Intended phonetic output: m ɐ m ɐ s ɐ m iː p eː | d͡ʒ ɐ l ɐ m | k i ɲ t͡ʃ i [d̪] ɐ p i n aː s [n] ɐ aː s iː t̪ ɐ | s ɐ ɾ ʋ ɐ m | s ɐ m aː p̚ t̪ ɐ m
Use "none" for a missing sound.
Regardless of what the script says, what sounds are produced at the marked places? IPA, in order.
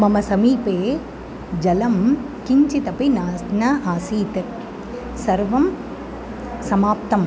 t̪, n

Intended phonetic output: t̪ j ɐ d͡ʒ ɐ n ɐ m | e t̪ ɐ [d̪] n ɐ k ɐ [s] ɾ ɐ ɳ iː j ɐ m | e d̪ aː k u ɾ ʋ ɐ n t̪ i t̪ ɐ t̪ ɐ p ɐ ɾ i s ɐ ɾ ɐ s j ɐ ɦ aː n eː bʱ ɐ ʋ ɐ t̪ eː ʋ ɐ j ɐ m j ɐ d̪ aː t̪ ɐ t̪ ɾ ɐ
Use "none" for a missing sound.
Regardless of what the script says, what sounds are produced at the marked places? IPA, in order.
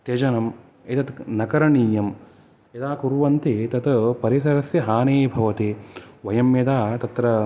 t̪, none

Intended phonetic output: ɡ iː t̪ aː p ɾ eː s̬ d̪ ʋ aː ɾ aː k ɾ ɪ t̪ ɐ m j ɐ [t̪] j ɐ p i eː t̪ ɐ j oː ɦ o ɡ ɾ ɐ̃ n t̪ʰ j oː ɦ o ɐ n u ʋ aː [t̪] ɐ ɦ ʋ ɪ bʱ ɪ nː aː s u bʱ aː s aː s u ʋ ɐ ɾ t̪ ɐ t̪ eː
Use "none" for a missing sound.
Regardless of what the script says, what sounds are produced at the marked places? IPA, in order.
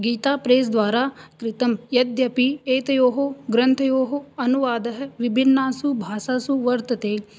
d̪, d̪

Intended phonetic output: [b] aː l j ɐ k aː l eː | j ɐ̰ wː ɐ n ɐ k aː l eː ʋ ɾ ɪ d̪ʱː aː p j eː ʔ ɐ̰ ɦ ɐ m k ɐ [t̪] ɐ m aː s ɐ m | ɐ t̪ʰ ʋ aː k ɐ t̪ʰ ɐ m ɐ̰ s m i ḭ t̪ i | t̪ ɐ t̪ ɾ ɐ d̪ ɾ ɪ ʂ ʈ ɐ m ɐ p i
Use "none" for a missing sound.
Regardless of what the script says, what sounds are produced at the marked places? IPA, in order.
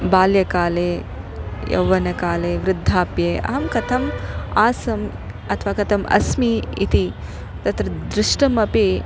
b, t̪ʰ

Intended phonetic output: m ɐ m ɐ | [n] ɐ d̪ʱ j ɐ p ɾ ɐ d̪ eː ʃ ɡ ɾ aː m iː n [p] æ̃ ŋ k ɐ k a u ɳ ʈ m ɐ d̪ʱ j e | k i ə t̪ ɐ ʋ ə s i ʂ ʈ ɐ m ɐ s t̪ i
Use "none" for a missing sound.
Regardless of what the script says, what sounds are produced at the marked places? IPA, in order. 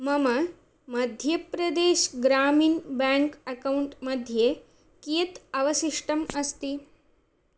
m, b

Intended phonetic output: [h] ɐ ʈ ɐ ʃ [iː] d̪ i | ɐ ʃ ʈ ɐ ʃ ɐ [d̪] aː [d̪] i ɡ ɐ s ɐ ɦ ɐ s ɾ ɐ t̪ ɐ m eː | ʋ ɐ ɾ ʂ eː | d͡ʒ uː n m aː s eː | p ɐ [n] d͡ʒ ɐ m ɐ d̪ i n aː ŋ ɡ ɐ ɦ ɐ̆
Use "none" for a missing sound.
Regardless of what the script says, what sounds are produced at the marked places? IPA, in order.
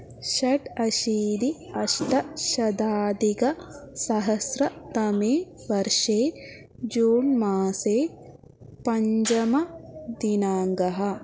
ʃ, iː, d̪, d̪, ɲ

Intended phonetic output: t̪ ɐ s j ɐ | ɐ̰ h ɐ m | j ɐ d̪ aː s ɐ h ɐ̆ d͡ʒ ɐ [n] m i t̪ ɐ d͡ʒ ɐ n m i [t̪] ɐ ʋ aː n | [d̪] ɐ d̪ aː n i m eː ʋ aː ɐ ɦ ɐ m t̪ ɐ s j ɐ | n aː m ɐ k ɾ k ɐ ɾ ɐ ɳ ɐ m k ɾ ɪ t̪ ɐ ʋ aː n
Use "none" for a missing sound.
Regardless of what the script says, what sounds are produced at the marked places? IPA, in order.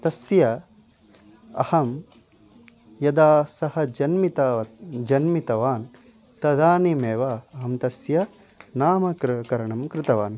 n, t̪, t̪

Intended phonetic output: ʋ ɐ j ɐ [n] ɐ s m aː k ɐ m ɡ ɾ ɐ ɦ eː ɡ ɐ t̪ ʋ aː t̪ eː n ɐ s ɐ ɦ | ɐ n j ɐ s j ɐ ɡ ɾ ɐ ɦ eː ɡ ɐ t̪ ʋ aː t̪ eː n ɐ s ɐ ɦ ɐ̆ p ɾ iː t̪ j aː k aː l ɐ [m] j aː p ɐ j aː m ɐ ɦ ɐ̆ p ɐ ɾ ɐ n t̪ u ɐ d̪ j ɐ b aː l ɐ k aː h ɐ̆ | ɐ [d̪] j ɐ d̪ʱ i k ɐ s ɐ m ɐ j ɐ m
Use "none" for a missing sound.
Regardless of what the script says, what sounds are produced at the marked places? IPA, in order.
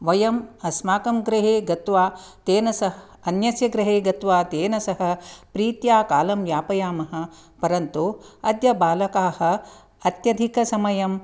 m, m, t̪

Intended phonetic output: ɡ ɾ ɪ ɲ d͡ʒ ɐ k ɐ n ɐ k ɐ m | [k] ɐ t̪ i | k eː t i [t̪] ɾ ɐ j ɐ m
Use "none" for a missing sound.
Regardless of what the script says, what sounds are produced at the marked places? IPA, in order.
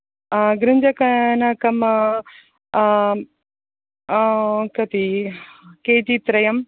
k, t̪

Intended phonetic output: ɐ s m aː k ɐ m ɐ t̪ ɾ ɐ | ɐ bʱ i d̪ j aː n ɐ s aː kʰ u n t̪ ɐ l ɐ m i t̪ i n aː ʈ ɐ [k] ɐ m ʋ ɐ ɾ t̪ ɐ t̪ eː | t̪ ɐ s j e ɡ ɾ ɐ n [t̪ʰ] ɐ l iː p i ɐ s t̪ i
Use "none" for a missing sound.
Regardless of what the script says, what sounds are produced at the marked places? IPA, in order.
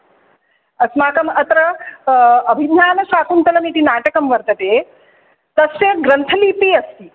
k, t̪ʰ

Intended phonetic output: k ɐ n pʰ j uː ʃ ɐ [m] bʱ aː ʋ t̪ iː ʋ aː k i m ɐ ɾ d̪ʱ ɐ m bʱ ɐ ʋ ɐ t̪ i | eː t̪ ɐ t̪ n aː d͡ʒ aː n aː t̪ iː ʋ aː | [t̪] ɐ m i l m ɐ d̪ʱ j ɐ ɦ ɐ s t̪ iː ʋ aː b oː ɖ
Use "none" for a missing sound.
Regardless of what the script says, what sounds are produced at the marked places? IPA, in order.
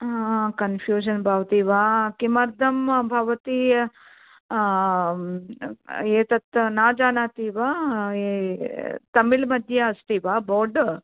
n, t̪

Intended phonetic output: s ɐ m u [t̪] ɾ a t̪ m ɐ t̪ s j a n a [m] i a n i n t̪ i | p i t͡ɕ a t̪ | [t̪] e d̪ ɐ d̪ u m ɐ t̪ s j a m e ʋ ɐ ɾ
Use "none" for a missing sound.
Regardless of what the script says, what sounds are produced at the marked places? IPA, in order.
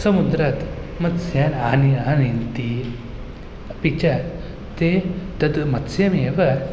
d̪, n, t̪

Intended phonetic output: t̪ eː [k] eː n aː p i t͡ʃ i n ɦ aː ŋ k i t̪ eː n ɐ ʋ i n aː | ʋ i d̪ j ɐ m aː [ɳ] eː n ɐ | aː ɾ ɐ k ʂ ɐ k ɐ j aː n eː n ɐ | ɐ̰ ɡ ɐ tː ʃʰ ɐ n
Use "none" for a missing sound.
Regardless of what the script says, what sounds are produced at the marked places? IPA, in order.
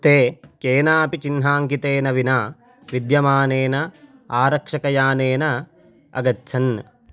k, n

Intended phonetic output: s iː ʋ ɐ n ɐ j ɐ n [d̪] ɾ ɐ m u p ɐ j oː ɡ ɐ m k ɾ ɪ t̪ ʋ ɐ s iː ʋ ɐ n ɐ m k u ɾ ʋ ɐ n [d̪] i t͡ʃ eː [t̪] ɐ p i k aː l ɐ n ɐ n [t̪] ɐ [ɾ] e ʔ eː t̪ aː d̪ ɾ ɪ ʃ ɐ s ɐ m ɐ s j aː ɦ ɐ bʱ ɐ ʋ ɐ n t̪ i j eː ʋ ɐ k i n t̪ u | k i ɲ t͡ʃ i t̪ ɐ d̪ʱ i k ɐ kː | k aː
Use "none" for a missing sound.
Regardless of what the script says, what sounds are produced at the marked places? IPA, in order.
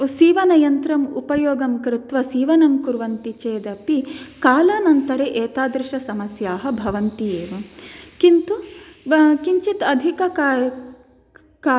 t̪, t̪, d̪, t̪, ɾ

